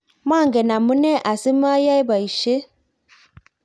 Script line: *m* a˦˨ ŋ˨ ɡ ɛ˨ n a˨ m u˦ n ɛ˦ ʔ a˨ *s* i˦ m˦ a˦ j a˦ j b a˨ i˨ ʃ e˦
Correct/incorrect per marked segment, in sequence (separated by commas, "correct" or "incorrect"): correct, correct